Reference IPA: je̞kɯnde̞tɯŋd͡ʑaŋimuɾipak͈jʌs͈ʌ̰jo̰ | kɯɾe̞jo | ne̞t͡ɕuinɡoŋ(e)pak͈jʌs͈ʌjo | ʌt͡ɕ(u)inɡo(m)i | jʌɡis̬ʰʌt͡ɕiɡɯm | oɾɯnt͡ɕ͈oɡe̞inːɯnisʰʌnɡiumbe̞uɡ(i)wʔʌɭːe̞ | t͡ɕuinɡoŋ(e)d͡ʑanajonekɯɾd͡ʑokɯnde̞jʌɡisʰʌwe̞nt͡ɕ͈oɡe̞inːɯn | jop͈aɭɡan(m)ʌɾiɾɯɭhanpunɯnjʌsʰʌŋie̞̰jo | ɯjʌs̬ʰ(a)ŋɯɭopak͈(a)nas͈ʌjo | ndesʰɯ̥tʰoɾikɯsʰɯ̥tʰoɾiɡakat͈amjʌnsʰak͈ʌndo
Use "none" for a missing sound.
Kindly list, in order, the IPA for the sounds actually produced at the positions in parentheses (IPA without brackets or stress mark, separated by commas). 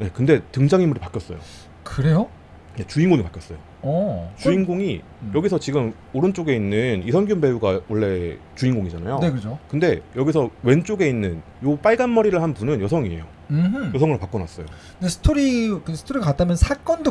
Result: i, u, ŋ, a, i, m, ʌ, ʌ